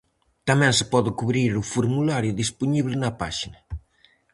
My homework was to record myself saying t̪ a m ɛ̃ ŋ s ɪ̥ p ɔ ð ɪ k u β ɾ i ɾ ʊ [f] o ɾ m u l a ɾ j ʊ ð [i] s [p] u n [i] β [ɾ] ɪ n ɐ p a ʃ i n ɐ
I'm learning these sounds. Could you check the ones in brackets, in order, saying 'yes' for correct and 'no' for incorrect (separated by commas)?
yes, yes, yes, yes, no